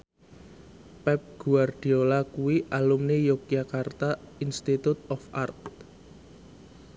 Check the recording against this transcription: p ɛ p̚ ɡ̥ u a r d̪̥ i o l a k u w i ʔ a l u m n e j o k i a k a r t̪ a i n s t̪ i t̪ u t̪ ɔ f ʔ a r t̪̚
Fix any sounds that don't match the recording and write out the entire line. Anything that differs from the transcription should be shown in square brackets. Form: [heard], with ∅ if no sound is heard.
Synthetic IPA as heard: p ɛ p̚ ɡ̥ u a r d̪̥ i o l a k u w i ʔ a l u m n e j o k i a k a r t̪ a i n s t̪ i t̪ u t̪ ɔ f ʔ a r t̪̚